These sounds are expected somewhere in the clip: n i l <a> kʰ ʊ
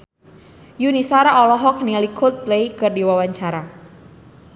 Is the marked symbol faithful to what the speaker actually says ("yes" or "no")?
no